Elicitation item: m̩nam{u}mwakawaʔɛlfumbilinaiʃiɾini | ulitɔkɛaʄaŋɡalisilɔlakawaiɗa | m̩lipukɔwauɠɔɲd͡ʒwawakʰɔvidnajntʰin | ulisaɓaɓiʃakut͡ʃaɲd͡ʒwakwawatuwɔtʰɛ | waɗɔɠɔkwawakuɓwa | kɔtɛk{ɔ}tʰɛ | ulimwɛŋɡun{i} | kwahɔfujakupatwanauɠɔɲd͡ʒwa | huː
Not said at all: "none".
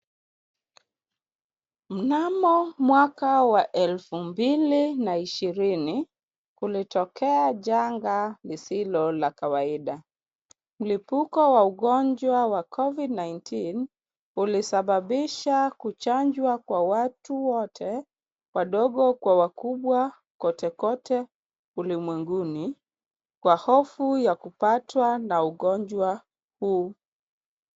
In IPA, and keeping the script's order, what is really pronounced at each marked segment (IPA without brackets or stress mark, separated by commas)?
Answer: ɔ, ɔ, i